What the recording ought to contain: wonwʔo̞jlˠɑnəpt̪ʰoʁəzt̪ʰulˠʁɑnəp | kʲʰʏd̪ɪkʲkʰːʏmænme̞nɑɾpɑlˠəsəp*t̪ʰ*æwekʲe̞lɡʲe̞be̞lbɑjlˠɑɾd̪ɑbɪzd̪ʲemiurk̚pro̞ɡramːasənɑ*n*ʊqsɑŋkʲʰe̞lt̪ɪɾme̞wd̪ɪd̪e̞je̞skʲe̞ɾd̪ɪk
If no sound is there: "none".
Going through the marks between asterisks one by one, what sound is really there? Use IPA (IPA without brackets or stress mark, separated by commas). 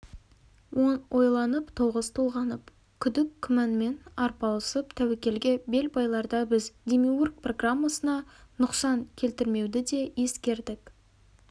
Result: t̪ʰ, n